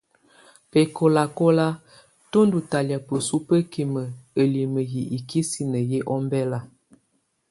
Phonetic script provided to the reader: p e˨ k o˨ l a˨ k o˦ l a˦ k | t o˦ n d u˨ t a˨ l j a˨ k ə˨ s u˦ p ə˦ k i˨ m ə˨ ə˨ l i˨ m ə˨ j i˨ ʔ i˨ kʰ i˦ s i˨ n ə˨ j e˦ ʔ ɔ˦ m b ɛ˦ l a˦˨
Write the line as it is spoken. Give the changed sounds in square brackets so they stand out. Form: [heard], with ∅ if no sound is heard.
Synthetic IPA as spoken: p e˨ k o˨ l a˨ k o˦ l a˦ [∅] | t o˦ n d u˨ t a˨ l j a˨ [p] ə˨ s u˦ p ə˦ k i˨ m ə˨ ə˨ l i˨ m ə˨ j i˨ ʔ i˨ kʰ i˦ s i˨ n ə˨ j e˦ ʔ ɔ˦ m b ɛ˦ l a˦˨